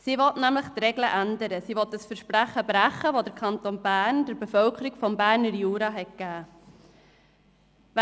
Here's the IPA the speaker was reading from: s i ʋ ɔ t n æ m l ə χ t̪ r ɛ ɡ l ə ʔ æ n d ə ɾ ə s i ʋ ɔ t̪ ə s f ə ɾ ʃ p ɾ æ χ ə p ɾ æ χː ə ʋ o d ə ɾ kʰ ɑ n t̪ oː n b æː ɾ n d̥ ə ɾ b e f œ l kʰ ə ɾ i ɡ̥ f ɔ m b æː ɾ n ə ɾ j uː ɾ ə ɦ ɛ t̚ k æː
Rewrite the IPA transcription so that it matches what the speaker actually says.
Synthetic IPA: s i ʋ ɔ t n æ m l ə χ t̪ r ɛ ɡ l ə ʔ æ n d ə ɾ ə s i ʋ ɔ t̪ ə s f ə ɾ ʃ p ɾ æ χ ə b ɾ æ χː ə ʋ o d ə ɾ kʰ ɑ n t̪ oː n b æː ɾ n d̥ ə ɾ b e f œ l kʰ ə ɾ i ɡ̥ f ɔ m b æː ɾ n ə ɾ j uː ɾ ɑ ɦ ɛ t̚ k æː